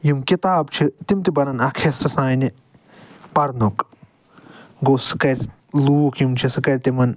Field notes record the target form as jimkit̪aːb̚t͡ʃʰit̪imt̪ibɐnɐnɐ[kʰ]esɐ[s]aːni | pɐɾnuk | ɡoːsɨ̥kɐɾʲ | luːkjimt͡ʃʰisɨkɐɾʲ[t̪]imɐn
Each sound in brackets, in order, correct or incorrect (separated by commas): correct, correct, correct